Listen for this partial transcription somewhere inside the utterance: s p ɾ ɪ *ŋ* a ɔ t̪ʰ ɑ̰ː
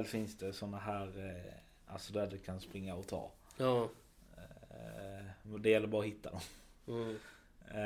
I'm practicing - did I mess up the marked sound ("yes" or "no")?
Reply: yes